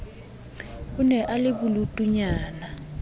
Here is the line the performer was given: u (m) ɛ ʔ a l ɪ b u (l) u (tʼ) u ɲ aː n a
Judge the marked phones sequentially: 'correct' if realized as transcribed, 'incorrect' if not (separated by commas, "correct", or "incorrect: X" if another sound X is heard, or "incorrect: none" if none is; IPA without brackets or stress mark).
incorrect: n, correct, correct